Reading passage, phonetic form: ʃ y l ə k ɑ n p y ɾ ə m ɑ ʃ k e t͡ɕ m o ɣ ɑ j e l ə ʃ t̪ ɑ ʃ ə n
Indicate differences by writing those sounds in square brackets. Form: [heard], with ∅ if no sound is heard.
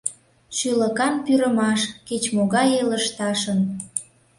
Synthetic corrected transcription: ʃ y l ə k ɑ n p y ɾ ə m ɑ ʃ k e t͡ɕ m o ɣ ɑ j e l ə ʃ t̪ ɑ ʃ ə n